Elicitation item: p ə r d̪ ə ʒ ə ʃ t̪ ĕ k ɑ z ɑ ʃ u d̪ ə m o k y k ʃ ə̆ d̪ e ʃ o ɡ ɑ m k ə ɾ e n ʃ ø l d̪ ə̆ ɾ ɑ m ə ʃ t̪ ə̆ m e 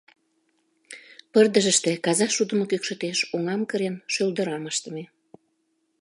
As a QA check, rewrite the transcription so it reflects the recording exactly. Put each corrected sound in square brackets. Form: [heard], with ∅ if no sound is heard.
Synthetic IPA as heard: p ə r d̪ ə ʒ ə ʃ t̪ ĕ k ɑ z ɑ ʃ u d̪ ə m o k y k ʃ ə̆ [t̪] e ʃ o [ŋ] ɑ m k ə ɾ e n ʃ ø l d̪ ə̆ ɾ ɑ m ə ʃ t̪ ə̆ m e